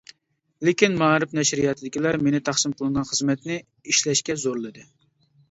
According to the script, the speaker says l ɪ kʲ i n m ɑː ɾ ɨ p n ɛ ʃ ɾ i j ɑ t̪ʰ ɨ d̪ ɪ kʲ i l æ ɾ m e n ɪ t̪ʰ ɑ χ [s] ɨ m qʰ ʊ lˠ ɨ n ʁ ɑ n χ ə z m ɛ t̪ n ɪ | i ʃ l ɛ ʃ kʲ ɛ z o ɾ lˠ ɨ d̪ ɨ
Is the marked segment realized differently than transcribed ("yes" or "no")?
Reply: no